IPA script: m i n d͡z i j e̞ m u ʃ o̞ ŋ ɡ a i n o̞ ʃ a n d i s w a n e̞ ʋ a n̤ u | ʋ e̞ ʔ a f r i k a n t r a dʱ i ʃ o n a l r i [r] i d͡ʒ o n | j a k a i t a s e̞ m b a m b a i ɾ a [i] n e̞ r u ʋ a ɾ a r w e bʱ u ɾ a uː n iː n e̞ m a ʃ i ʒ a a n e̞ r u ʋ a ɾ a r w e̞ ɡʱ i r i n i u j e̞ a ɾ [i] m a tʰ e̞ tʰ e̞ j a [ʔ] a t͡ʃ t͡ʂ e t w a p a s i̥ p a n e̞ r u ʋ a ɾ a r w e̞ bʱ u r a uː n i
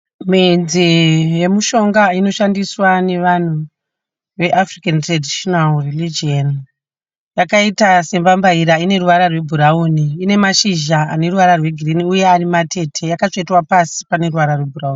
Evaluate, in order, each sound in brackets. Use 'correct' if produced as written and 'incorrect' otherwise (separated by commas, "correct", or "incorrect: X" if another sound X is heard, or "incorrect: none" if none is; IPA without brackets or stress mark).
incorrect: l, correct, correct, incorrect: k